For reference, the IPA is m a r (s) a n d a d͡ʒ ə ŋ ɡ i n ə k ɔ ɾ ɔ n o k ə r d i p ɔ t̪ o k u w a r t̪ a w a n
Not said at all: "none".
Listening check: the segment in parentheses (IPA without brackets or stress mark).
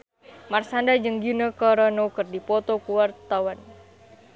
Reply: s